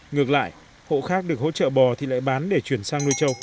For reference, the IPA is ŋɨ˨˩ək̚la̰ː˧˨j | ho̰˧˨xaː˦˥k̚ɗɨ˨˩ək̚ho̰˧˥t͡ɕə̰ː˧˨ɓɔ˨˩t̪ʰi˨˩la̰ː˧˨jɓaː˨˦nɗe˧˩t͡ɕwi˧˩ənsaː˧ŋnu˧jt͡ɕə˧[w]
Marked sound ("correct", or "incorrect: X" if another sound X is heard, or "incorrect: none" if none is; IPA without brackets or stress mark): correct